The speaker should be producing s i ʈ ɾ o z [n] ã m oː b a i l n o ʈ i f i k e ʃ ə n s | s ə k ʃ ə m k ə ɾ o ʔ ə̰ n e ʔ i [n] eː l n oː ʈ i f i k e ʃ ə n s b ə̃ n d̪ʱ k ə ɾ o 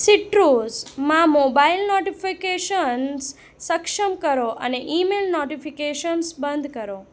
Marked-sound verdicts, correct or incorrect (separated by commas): incorrect, incorrect